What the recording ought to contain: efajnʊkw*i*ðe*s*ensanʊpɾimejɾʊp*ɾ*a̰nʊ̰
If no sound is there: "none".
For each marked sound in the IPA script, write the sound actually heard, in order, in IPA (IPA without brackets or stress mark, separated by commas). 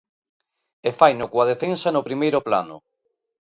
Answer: a, f, l